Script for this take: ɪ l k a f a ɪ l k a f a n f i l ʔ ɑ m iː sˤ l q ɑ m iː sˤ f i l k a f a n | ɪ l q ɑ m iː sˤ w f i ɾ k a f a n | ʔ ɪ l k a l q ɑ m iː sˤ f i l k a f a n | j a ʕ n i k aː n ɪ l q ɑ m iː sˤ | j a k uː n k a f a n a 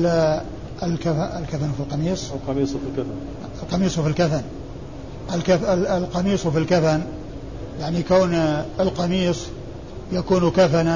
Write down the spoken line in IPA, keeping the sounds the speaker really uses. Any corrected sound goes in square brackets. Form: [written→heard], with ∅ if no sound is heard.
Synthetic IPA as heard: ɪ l k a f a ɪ l k a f a n f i l [ʔ→q] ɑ m iː sˤ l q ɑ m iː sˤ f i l k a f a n | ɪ l q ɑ m iː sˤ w f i [ɾ→l] k a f a n | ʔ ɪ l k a l q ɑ m iː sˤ f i l k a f a n | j a ʕ n i k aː n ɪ l q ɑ m iː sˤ | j a k uː n k a f a n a